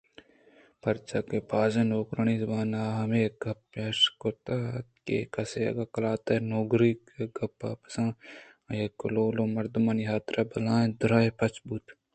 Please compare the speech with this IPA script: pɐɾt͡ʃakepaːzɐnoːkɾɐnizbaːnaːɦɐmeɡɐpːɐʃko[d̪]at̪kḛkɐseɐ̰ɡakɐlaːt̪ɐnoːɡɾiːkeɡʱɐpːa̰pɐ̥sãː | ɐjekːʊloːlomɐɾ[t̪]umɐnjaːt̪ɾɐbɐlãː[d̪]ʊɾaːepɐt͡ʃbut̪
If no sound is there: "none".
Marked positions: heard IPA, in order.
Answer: t̪, d̪, d̪

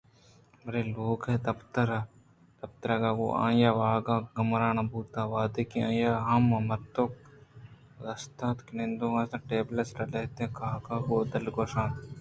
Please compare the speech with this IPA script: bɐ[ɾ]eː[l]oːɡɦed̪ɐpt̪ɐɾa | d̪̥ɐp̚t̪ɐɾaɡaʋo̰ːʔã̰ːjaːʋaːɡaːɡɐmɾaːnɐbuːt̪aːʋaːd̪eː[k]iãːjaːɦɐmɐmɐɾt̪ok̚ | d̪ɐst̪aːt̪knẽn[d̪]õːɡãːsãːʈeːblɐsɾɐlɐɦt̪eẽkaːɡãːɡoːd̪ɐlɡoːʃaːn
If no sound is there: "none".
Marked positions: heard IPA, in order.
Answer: ɾ, l, k, d̪

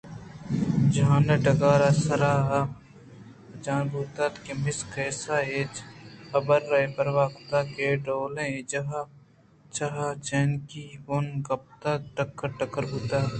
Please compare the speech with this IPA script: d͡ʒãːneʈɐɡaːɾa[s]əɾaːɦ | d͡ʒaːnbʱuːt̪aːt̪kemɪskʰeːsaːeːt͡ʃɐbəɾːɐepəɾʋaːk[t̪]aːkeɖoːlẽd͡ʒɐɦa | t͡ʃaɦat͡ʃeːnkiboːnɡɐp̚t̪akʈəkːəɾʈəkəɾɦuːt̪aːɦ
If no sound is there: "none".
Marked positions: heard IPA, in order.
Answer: s, t̪

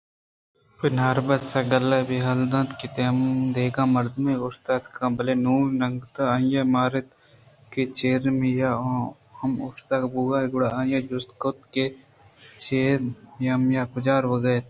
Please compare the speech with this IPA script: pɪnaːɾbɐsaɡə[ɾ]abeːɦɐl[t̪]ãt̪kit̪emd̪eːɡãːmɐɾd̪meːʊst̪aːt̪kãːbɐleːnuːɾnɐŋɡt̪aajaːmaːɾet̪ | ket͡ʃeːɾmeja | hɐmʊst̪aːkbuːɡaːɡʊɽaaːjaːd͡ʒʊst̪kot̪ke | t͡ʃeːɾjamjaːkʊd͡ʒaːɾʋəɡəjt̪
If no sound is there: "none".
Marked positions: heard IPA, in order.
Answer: l, d̪

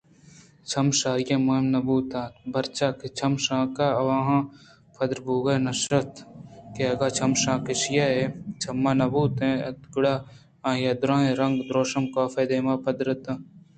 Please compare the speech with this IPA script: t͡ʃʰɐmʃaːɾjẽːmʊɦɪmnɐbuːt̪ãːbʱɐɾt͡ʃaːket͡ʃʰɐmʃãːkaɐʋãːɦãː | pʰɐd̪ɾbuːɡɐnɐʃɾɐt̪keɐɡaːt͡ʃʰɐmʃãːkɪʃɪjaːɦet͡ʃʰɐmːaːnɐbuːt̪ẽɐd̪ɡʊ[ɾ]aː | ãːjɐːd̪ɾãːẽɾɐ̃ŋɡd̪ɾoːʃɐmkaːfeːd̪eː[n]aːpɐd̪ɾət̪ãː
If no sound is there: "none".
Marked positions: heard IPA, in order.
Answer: ɽ, m

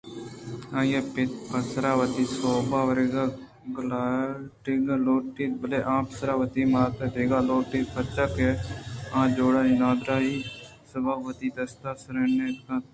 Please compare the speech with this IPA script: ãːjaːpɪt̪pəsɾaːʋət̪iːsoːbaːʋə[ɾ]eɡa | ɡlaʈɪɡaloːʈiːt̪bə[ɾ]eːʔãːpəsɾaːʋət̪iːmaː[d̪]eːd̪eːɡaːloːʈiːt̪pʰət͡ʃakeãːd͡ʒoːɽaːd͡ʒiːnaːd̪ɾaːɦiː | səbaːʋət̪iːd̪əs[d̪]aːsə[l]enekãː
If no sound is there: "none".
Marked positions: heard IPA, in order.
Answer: ɾ, l, t̪, t̪, ɾ

